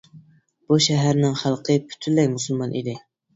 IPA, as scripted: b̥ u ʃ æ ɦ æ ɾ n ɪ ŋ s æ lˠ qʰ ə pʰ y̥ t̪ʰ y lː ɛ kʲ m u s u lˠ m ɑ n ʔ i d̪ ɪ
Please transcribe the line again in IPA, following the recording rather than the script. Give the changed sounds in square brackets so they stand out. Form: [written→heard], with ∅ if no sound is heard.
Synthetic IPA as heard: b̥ u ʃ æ ɦ æ ɾ n ɪ ŋ [s→χ] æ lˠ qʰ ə pʰ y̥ t̪ʰ y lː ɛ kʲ m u s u lˠ m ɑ n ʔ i d̪ ɪ